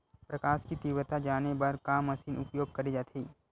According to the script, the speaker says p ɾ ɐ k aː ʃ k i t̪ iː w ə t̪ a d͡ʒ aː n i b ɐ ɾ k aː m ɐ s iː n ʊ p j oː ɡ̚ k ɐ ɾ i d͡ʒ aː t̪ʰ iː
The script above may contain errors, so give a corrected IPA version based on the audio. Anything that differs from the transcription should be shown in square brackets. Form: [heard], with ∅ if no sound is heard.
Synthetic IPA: p ɾ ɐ k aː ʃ k i t̪ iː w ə t̪ a d͡ʒ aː n [e] b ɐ ɾ k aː m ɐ s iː n ʊ p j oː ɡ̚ k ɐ ɾ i d͡ʒ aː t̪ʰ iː